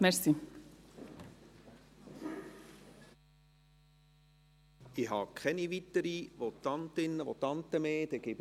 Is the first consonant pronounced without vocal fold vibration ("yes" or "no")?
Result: no